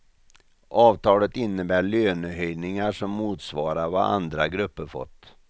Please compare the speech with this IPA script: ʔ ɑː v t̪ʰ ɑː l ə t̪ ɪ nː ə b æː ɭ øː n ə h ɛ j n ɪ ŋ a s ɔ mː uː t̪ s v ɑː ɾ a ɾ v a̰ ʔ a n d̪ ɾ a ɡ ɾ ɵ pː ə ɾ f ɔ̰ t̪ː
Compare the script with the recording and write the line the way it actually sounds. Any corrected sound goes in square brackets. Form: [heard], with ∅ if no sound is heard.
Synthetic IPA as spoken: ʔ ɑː v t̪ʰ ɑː l ə t̪ ɪ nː ə b æː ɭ øː n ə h [œ] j n ɪ ŋ a [ʂ] ɔ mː uː t̪ s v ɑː ɾ a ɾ v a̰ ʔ a n d̪ ɾ a ɡ ɾ ɵ pː ə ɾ f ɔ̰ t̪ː